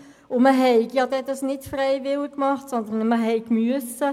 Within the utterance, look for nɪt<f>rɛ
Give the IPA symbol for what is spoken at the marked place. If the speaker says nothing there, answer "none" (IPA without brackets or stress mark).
f